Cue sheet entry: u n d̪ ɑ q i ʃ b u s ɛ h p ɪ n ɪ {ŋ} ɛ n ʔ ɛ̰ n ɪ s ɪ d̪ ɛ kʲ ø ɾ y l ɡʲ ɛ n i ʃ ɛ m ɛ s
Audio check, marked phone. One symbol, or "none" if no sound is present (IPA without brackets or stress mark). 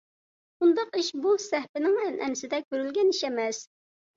ŋ